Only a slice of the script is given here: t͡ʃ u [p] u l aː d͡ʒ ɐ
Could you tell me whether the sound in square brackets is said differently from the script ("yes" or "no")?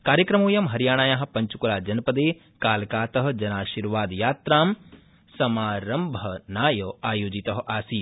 yes